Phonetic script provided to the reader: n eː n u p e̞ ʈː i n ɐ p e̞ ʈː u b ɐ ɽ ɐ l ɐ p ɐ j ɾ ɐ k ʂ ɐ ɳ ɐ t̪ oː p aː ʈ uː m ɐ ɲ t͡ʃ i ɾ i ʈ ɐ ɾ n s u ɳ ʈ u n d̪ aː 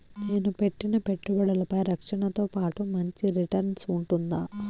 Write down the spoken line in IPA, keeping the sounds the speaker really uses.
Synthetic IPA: n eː n u p e̞ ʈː i n ɐ p e̞ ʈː u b ɐ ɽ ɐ l ɐ p ɐ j ɾ ɐ k ʂ ɐ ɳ ɐ t̪ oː p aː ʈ u m ɐ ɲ t͡ʃ i ɾ i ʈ ɐ ɾ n s u ɳ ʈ u n d̪ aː

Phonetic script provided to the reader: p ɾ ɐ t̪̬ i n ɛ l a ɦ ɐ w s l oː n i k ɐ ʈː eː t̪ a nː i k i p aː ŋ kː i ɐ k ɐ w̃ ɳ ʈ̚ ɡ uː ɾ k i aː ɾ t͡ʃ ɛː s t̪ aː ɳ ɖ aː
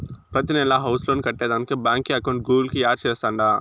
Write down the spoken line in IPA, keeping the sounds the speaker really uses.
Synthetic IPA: p ɾ ɐ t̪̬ i n ɛ l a ɦ ɐ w s l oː n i k ɐ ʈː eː d̪ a n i k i b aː ŋ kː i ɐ k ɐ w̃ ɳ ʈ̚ ɡ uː l k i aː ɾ t͡ʃ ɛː s t̪ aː ɳ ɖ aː

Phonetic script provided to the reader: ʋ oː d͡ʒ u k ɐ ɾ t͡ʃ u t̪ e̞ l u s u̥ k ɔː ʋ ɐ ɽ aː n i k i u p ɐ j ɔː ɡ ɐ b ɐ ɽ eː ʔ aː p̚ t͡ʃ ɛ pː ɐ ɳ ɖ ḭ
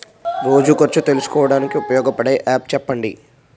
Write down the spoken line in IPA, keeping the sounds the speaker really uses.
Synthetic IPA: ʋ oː d͡ʒ u k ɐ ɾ t͡ʃ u t̪ e̞ l u s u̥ k ɔː ʋ ɐ ɽ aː n i k i u p ɐ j ɔː ɡ ɐ p ɐ ɽ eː ʔ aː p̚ t͡ʃ ɛ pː ɐ ɳ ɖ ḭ

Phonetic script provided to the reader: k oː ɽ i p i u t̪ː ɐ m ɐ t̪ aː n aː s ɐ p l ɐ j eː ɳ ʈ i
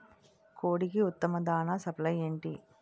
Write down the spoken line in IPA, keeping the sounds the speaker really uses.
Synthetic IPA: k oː ɽ i k i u t̪ː ɐ m ɐ d̪ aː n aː s ɐ p l ɐ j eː ɳ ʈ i

